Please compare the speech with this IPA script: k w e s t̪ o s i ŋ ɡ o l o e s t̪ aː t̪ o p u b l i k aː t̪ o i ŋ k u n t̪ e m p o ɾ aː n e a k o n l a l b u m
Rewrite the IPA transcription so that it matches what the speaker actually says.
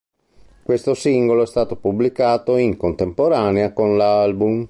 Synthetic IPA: k w e s t̪ o s i ŋ ɡ o l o ɛ s t̪ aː t̪ o p u b l i k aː t̪ o i ŋ k o n t̪ e m p o ɾ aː n e a k o n l a l b u m